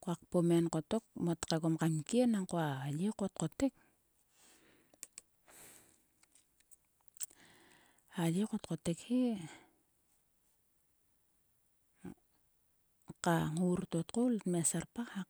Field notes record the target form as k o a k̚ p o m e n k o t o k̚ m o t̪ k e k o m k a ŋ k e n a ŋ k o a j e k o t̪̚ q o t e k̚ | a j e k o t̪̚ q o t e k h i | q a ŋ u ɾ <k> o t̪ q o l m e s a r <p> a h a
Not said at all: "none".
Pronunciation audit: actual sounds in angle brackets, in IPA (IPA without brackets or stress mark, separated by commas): t, p